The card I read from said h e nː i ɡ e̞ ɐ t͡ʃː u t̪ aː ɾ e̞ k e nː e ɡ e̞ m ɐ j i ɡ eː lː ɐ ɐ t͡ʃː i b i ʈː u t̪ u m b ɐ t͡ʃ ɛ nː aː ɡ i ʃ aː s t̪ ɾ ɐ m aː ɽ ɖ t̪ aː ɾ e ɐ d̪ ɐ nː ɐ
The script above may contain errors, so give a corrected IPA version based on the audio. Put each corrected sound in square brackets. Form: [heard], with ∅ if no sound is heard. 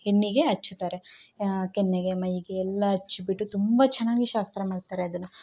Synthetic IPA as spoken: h e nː i ɡ e̞ ɐ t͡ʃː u t̪ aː ɾ e̞ k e nː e ɡ e̞ m ɐ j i ɡ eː lː ɐ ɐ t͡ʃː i b i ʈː u t̪ u m b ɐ t͡ʃ ɛ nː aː ɡ i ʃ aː s t̪ ɾ ɐ m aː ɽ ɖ t̪ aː ɾ e ɐ d̪ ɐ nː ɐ